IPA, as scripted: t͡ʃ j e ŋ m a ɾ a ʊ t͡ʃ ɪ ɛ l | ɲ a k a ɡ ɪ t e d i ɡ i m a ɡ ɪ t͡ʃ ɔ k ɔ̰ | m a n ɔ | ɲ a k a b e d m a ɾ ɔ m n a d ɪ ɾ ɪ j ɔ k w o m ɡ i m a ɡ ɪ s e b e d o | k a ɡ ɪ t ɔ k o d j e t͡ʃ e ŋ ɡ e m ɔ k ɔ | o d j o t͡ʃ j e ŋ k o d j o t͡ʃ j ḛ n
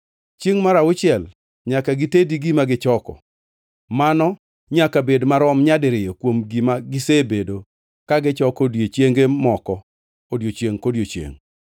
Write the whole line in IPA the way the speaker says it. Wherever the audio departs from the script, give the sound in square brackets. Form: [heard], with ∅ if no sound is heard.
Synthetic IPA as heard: t͡ʃ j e ŋ m a ɾ a ʊ t͡ʃ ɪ ɛ l | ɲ a k a ɡ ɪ t e d i ɡ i m a ɡ ɪ t͡ʃ ɔ k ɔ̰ | m a n ɔ | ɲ a k a b e d m a ɾ ɔ m [ɲ] a d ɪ ɾ ɪ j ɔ k w o m ɡ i m a ɡ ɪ s e b e d o | k a ɡ ɪ [t͡ʃ] ɔ k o d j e t͡ʃ e ŋ ɡ e m ɔ k ɔ | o d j o t͡ʃ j e ŋ k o d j o t͡ʃ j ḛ [ŋ]